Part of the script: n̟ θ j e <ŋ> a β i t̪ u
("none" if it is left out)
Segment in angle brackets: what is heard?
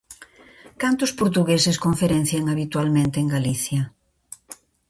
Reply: ŋ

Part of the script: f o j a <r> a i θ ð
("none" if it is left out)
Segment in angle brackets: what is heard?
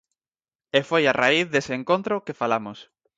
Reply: r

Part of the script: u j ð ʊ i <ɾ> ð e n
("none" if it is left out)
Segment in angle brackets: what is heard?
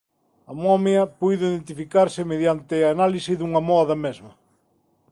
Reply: none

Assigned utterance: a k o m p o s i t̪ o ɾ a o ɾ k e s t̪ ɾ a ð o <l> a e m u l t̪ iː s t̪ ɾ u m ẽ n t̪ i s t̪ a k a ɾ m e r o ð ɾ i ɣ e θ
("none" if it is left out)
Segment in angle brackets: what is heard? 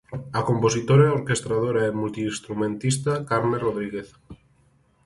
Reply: ɾ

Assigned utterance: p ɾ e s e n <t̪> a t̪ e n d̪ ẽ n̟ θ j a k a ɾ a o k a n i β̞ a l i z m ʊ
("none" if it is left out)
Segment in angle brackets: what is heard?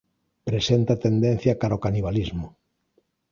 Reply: t̪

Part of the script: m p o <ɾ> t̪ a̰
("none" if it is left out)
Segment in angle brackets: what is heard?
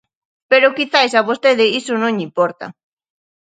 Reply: ɾ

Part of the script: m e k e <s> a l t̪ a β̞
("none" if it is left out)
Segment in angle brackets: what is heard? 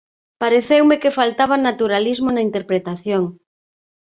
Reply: f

